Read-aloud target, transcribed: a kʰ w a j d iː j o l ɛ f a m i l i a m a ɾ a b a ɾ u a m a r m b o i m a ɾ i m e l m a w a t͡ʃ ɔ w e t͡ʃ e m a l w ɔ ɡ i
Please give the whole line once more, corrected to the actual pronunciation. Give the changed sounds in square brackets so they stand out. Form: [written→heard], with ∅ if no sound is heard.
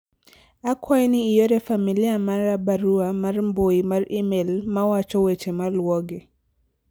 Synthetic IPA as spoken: a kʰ w a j [d→n] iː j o [l→ɾ] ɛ f a m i l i a m a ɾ a b a ɾ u a m a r m b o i m a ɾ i m e l m a w a t͡ʃ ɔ w e t͡ʃ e m a l w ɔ ɡ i